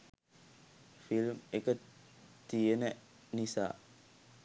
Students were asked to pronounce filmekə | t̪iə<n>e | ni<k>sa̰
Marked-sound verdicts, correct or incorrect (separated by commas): correct, incorrect